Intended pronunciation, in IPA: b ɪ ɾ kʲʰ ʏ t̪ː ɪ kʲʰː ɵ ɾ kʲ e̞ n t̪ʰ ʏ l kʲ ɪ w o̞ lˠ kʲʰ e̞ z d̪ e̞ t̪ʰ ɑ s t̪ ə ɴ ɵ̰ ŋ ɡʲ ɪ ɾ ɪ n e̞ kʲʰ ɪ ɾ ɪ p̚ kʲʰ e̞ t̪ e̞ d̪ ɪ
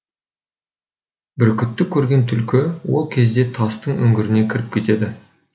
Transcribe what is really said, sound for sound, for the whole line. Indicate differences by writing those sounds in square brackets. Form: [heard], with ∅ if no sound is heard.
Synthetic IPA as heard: b ɪ ɾ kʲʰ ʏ t̪ː ɪ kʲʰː ɵ ɾ [ɡʲ] e̞ n t̪ʰ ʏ l kʲ ɪ w o̞ lˠ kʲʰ e̞ z d̪ e̞ t̪ʰ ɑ s t̪ ə ɴ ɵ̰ ŋ ɡʲ ɪ ɾ ɪ n e̞ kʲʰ ɪ ɾ ɪ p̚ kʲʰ e̞ t̪ e̞ d̪ ɪ